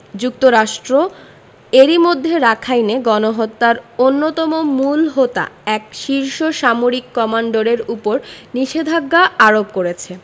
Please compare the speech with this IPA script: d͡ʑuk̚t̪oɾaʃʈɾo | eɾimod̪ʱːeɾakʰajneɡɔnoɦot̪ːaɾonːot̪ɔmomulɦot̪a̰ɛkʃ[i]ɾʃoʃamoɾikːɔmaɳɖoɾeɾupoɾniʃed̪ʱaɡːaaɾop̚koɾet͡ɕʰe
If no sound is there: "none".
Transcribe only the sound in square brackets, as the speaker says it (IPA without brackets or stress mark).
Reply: i